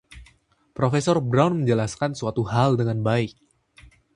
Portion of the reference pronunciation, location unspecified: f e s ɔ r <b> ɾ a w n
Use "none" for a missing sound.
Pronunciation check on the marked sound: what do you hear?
b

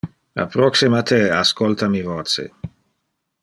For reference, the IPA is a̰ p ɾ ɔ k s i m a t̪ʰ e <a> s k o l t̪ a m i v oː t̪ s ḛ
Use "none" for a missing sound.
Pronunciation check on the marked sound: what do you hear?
a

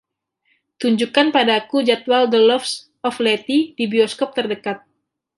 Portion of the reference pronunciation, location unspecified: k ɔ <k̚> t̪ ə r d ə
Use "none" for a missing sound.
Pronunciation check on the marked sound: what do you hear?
p̚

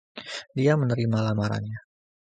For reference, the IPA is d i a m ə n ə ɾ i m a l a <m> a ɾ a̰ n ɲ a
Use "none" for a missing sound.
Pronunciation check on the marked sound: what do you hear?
m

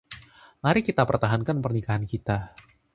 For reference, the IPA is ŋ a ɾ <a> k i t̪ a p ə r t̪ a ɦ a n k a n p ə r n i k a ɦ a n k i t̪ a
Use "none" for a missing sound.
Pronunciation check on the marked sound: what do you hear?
i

